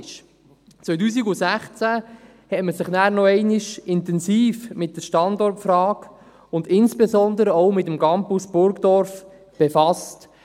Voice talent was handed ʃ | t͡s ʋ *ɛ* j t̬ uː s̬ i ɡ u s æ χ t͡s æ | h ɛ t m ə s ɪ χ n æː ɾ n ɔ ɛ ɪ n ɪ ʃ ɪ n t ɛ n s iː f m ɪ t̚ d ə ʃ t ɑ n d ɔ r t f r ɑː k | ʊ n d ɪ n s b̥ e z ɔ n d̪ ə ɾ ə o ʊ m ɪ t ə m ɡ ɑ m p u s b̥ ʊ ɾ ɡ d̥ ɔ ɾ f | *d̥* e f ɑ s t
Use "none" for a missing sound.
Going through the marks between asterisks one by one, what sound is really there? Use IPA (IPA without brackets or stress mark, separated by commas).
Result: œ, b̥